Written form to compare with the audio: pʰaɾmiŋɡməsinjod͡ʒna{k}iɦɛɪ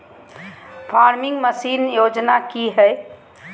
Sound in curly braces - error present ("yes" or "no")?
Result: no